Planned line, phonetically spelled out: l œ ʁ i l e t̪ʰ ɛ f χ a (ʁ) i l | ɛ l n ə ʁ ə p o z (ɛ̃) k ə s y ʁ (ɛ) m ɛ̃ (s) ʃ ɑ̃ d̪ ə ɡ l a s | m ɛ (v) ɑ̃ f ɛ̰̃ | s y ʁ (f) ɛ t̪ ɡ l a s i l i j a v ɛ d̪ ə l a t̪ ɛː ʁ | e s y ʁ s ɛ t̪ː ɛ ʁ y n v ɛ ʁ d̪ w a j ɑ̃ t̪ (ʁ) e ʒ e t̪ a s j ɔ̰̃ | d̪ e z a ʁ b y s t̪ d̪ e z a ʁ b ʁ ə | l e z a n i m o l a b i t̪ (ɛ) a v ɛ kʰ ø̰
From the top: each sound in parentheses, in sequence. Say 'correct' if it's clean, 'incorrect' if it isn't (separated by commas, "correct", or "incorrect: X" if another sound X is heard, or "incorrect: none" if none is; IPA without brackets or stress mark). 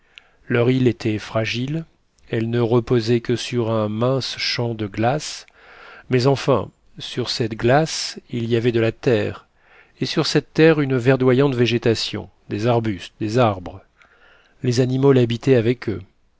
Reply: incorrect: ʒ, incorrect: ɛ, incorrect: ɛ̃, correct, incorrect: z, incorrect: s, incorrect: v, correct